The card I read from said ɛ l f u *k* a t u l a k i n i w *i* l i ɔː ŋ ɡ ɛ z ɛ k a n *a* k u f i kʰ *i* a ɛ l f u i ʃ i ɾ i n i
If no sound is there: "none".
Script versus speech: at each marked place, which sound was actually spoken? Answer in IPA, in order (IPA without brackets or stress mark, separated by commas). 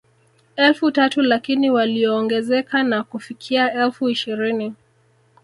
t, a, a, i